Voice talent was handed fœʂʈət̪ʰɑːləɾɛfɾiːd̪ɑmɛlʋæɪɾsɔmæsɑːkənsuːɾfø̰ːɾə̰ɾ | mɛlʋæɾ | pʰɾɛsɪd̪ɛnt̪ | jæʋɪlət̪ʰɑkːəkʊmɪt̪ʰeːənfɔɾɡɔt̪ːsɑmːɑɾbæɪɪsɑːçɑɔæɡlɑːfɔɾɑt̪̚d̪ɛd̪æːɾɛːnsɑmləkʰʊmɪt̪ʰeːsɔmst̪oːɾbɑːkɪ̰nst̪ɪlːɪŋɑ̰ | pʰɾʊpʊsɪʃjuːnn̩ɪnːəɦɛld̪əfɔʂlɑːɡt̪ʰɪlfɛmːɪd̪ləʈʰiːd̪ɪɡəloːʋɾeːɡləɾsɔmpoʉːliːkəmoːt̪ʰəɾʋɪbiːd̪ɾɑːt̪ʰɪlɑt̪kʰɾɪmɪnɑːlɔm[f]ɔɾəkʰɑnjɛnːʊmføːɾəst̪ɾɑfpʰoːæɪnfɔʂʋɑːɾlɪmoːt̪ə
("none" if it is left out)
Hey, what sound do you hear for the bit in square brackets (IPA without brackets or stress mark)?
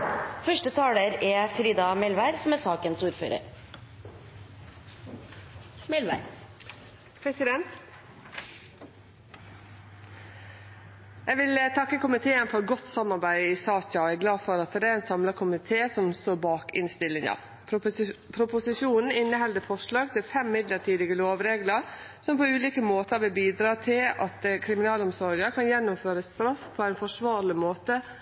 s